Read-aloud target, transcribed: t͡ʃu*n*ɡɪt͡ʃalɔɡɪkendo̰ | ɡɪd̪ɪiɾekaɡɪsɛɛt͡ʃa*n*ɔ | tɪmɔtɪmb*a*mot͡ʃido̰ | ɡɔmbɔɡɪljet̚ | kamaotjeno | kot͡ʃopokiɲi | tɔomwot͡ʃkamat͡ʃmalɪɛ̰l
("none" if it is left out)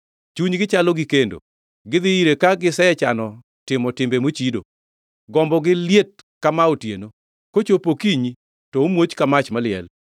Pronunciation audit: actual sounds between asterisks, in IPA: ɲ, n, e

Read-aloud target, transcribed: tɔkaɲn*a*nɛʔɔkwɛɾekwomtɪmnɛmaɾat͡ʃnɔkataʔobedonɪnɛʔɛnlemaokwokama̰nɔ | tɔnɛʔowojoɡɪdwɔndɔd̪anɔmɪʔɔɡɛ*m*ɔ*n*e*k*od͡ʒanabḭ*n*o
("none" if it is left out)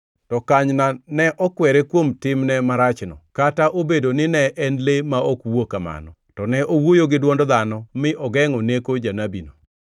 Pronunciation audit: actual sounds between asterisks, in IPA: a, ŋ, n, k, n

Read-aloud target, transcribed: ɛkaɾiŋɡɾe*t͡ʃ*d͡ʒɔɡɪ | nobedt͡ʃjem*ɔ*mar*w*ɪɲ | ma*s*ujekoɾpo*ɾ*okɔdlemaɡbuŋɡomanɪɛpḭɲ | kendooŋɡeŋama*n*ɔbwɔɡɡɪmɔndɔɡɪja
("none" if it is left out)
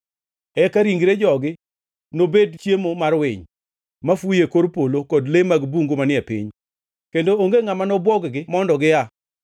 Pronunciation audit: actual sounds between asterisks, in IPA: none, o, w, f, l, n

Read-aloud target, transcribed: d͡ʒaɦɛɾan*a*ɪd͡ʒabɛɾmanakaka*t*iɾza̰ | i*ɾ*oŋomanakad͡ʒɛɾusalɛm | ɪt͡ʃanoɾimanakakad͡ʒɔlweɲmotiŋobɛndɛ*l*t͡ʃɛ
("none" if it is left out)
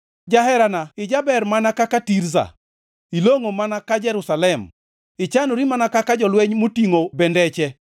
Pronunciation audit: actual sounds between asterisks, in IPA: a, t, l, none

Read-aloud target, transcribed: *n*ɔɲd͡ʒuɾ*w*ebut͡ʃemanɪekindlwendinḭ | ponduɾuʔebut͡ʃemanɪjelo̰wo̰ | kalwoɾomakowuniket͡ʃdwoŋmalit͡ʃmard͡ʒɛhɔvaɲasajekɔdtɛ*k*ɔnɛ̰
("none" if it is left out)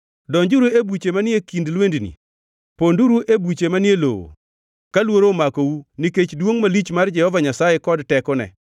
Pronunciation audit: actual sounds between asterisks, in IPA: d, u, k

